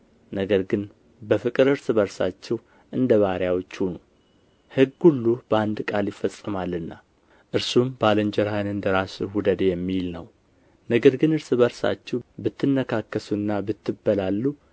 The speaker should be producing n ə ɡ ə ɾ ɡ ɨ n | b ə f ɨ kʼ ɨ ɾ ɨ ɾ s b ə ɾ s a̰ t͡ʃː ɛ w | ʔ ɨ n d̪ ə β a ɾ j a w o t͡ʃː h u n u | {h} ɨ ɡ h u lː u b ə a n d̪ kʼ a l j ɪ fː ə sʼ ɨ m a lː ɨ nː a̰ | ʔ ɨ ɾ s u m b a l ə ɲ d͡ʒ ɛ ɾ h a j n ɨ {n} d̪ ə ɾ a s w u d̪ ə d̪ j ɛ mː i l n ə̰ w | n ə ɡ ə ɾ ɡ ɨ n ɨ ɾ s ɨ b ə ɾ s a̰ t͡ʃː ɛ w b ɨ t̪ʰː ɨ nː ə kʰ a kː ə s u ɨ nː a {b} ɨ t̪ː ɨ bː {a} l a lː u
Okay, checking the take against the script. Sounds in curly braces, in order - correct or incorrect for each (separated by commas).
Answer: correct, correct, correct, incorrect